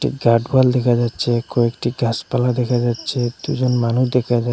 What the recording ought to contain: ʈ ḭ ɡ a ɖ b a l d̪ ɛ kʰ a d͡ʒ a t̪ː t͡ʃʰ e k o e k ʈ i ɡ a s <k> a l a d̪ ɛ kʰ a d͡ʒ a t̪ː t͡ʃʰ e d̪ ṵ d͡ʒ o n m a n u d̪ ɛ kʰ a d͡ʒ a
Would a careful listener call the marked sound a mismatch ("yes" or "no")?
yes